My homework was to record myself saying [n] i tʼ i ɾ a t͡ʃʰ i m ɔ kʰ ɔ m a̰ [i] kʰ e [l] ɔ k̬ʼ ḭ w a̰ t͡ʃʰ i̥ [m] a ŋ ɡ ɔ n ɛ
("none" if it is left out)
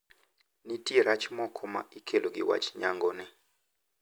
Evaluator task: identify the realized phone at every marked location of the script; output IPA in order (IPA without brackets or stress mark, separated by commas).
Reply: n, i, l, ɲ